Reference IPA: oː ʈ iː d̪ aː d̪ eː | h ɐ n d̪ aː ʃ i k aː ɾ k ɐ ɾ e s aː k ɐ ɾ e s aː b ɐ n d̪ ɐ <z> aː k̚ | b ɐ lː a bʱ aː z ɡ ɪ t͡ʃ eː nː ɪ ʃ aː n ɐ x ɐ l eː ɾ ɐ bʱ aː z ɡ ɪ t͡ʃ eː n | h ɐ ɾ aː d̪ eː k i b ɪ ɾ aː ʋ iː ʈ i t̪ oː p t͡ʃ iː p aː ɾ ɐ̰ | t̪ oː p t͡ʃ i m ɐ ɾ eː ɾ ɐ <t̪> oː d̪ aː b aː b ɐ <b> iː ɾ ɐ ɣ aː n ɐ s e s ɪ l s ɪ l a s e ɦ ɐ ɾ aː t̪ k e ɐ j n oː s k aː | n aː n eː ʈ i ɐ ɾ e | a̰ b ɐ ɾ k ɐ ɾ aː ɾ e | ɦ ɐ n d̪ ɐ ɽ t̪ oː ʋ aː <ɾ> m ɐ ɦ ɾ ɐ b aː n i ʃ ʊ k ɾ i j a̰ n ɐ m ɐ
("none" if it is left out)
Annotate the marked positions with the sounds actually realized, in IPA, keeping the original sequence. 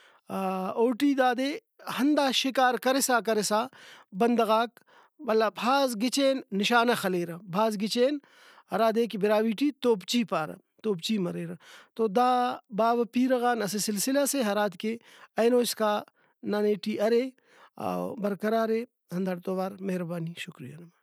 ɣ, t̪, p, ɾ

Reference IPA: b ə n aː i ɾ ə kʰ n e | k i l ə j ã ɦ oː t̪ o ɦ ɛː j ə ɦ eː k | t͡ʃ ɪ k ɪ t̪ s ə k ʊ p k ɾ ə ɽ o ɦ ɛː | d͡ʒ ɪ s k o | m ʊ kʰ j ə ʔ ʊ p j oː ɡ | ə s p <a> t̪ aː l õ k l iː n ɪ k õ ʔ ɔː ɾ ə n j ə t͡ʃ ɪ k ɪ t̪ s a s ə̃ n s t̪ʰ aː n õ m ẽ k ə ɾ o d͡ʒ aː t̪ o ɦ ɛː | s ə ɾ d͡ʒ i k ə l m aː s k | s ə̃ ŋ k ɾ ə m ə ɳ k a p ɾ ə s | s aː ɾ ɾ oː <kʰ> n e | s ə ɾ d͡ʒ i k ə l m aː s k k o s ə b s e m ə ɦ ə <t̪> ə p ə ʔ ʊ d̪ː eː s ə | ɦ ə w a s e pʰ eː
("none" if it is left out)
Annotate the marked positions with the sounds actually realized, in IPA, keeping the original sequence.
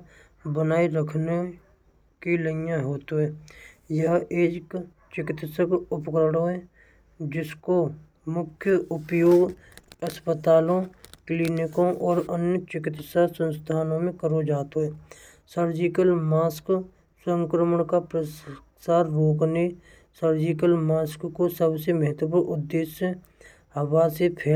ə, k, t̪

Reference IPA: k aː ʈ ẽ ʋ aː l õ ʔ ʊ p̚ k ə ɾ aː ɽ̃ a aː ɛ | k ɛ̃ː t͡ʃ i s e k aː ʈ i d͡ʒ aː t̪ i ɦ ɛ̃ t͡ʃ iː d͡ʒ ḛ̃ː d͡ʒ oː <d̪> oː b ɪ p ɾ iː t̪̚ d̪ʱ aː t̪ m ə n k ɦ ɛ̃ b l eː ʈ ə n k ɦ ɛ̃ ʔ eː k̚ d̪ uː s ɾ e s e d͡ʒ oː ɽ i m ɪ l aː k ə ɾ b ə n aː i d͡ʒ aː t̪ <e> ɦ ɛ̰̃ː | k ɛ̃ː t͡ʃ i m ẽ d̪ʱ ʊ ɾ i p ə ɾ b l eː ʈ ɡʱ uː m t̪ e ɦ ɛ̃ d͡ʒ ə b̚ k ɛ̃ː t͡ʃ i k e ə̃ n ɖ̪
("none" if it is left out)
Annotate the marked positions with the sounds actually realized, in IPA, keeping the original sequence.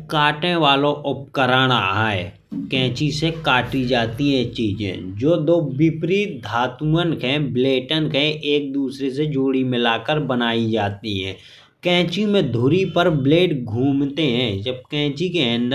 d̪, i

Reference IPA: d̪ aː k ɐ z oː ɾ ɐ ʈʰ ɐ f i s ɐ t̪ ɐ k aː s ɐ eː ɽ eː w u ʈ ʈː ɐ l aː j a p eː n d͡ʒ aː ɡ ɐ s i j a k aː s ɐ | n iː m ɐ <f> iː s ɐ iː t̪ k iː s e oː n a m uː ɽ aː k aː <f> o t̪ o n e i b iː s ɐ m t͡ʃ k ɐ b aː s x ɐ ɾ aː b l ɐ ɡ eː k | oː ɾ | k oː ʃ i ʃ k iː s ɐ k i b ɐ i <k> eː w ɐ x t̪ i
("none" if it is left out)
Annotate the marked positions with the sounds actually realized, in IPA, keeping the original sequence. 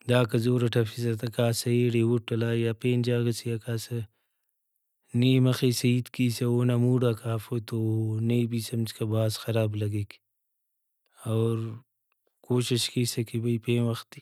x, f, p

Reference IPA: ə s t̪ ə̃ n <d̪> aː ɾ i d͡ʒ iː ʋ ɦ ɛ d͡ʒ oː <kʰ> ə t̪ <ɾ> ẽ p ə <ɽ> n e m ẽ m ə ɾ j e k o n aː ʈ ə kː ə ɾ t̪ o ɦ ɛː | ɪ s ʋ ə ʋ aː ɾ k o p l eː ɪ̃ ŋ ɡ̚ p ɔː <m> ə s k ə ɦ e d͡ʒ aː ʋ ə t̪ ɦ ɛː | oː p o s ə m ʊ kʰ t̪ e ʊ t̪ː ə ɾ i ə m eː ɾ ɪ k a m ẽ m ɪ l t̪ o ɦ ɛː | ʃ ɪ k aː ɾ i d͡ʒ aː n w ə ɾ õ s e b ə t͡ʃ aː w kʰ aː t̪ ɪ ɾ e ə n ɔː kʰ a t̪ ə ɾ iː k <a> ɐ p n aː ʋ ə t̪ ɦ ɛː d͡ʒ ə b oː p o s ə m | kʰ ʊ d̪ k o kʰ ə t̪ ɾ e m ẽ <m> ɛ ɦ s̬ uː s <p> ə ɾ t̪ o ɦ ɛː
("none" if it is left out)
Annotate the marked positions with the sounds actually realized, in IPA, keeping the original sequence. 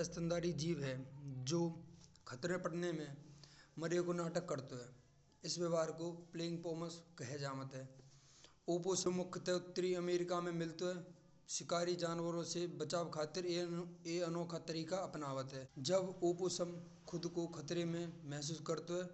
d̪, kʰ, ɾ, ɽ, m, a, m, k

